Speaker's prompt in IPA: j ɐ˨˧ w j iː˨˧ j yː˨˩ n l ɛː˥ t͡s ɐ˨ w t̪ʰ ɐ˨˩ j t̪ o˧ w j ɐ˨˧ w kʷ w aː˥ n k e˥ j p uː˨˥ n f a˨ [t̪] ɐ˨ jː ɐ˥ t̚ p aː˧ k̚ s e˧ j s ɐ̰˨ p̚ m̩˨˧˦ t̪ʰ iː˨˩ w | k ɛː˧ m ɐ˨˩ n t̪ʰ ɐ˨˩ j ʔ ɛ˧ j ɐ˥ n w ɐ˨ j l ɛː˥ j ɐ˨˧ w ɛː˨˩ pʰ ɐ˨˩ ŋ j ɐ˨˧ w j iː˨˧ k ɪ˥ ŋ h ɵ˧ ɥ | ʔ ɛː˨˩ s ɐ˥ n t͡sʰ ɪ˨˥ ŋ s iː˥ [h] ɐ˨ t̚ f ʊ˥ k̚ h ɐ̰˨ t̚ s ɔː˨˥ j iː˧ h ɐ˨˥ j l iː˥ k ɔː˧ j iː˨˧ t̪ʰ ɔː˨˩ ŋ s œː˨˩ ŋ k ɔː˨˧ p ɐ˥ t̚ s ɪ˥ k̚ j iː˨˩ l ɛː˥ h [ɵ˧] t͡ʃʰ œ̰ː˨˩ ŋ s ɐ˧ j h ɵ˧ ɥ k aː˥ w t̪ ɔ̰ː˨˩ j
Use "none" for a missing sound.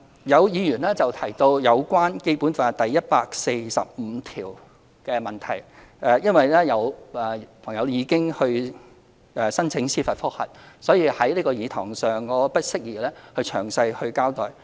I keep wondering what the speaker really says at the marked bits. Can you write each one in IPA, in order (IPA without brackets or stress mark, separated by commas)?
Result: t̪, f, ɵ˧